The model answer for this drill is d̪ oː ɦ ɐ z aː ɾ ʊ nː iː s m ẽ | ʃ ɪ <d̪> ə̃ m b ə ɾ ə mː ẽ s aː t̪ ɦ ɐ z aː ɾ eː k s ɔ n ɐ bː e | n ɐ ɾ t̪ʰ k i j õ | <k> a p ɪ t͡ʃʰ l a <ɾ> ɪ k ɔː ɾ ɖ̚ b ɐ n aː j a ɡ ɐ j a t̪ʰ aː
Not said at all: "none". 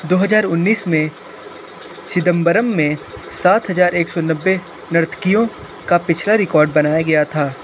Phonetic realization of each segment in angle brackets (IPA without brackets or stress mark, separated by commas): d̪, k, ɾ